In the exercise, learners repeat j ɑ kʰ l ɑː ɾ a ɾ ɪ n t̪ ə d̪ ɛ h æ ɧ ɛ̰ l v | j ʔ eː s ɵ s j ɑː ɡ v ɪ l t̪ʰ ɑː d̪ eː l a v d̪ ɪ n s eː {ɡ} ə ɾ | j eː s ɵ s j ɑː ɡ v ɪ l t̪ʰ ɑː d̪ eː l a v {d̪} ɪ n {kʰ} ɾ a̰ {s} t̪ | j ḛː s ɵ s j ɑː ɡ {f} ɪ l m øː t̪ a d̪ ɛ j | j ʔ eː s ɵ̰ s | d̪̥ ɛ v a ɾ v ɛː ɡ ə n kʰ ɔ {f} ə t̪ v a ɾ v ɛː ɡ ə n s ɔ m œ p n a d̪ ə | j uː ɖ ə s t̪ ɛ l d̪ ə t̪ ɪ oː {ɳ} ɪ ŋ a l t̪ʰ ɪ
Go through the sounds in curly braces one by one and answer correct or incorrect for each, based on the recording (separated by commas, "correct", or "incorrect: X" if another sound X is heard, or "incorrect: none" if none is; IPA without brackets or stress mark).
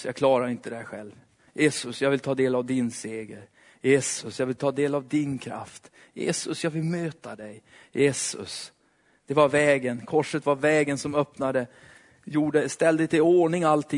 correct, correct, correct, incorrect: f, incorrect: v, incorrect: ʂ, correct